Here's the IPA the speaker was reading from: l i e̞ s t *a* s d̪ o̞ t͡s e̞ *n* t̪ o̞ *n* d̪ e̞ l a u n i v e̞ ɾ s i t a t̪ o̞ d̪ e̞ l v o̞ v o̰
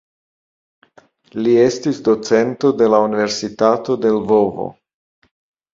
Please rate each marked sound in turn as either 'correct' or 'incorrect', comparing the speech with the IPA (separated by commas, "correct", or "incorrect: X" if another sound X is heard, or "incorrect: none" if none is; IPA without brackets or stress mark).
incorrect: i, correct, incorrect: none